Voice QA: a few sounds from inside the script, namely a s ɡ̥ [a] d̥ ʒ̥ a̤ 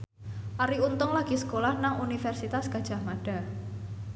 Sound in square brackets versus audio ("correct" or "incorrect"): correct